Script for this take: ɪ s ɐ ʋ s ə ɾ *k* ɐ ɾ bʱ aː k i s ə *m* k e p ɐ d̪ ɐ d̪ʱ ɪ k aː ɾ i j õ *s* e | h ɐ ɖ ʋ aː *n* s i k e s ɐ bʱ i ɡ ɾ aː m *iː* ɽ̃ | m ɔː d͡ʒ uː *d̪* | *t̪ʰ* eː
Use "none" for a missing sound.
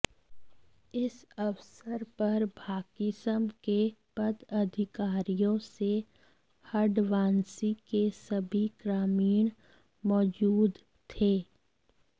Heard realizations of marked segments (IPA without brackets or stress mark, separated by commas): p, m, s, n, iː, d̪, t̪ʰ